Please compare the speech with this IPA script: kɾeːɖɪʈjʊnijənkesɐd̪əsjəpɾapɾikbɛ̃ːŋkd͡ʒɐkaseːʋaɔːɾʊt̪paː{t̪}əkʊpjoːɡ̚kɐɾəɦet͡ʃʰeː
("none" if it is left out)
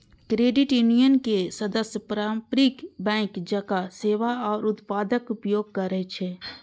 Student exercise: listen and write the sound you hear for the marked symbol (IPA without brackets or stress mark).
d̪